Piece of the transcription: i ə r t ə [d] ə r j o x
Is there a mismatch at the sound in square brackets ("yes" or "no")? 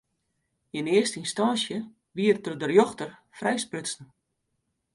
no